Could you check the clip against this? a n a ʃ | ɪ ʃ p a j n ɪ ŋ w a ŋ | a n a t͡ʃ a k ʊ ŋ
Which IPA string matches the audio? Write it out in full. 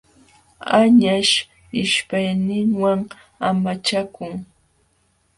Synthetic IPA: a ɲ a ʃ | ɪ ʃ p a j n ɪ ŋ w a ŋ | a m a t͡ʃ a k ʊ ŋ